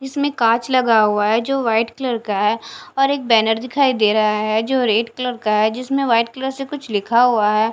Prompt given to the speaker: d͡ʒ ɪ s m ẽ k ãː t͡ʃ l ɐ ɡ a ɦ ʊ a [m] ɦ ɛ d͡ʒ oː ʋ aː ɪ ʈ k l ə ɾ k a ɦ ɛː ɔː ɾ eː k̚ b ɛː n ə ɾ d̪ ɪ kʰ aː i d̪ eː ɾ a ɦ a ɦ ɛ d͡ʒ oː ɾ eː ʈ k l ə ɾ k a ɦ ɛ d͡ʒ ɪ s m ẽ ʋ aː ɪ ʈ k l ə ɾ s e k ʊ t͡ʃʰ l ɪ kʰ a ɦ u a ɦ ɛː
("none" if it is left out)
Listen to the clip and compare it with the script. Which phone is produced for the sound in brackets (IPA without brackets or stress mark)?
none